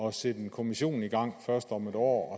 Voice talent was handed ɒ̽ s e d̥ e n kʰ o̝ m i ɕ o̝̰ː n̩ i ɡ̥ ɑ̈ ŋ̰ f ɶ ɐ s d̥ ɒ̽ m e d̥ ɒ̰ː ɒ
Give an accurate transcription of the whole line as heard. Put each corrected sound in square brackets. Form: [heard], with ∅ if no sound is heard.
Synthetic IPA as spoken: ɒ̽ s e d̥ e n kʰ o̝ m i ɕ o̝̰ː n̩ i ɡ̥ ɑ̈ ŋ̰ f ɶ ɐ s d̥ ɒ̽ m e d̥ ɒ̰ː ɒ